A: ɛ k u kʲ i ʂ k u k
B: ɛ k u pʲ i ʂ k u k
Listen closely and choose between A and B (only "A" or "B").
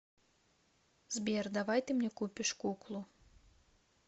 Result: B